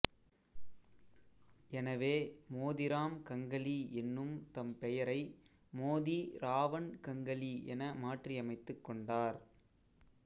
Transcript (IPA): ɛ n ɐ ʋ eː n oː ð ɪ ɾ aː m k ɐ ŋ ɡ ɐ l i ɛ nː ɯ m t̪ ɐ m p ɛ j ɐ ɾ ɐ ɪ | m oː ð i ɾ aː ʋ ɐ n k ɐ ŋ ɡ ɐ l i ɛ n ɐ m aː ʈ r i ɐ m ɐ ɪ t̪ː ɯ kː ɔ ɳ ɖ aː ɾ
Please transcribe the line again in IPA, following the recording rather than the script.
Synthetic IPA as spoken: ɛ n ɐ ʋ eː m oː ð ɪ ɾ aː m k ɐ ŋ ɡ ɐ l i ɛ nː ɯ m t̪ ɐ m p ɛ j ɐ ɾ ɐ ɪ | m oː ð i ɾ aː ʋ ɐ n k ɐ ŋ ɡ ɐ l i ɛ n ɐ m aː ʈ r i ɐ m ɐ ɪ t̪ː ɯ kː ɔ ɳ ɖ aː ɾ